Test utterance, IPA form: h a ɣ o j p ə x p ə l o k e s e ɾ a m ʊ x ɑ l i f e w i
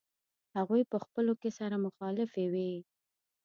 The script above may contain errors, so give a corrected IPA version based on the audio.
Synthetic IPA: h a ɣ u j p ə x p ə l o k e s a ɾ a m ʊ x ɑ l ɪ f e w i